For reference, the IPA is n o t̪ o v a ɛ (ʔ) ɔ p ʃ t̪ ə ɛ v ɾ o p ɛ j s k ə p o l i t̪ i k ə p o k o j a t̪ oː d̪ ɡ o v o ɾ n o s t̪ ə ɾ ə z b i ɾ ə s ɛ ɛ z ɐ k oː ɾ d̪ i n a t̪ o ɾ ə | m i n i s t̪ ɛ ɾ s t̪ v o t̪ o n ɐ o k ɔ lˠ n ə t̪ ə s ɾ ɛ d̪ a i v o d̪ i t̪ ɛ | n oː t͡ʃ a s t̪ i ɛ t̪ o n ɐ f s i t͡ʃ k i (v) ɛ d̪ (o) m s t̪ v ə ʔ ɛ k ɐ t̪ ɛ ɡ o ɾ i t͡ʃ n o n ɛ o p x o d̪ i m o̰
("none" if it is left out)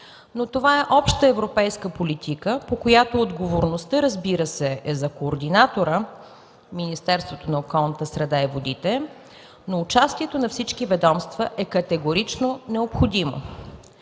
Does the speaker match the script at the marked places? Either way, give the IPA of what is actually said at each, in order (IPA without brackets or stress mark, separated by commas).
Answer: ʔ, v, ɔ